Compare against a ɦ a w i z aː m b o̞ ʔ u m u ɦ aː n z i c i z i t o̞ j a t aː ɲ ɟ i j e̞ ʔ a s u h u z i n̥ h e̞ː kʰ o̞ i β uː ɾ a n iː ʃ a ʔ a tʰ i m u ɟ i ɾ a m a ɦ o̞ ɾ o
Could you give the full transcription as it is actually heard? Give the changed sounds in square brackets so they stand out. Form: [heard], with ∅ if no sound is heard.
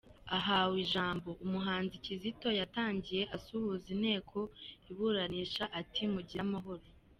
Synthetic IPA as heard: a ɦ a w i [ʒ] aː m b o̞ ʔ u m u ɦ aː n z i c i z i t o̞ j a t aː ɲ ɟ i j e̞ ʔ a s u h u z i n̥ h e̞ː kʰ o̞ i β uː ɾ a n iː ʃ a ʔ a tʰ i m u ɟ i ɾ a m a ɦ o̞ ɾ o